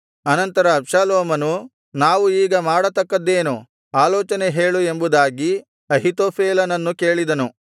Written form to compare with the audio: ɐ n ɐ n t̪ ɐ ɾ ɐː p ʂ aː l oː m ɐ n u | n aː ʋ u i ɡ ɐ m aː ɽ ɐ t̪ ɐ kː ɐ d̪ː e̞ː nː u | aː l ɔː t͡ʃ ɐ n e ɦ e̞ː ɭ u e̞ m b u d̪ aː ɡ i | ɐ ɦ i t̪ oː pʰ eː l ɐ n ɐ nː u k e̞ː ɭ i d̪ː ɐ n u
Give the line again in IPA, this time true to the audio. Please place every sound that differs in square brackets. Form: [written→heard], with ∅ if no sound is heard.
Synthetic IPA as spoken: ɐ n ɐ n t̪ ɐ ɾ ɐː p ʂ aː l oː m ɐ n u | n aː ʋ u [i→iː] ɡ ɐ m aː ɽ ɐ t̪ ɐ kː ɐ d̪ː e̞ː [nː→n] u | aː l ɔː t͡ʃ ɐ n e ɦ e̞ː ɭ u e̞ m b u d̪ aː ɡ i | ɐ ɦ i t̪ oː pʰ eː l ɐ n ɐ nː u k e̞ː ɭ i [d̪ː→d̪] ɐ n u